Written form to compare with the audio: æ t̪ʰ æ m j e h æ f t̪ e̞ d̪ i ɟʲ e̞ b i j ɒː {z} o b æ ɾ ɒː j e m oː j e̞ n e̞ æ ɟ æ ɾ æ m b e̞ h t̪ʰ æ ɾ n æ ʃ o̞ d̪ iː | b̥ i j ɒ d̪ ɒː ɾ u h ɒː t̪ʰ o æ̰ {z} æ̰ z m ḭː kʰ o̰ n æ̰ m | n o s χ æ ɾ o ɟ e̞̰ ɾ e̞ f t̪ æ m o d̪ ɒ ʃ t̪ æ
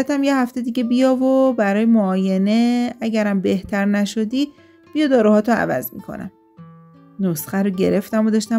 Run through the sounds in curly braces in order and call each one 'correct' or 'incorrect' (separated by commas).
incorrect, incorrect